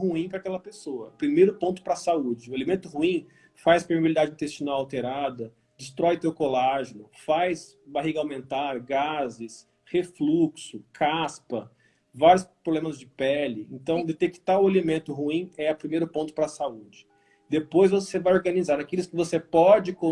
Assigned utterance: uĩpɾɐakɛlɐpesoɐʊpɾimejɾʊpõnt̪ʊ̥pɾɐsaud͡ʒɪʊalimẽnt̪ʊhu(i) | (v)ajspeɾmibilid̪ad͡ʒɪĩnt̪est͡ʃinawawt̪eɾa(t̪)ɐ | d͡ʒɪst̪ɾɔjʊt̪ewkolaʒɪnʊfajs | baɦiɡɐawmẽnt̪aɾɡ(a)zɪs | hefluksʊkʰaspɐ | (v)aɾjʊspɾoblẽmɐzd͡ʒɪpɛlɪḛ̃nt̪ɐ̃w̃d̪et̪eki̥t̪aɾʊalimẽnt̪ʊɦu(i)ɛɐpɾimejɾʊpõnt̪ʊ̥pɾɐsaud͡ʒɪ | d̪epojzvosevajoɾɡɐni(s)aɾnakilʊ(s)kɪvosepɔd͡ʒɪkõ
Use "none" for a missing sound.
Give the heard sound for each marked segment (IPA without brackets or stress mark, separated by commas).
ĩ, f, d̪, a, v, ĩ, z, s